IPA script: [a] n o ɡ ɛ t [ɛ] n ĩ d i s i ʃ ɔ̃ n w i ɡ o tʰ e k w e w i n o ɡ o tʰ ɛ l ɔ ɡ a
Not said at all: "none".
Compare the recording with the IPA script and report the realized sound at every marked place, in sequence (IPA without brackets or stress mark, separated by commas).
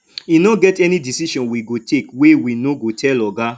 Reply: i, ɛ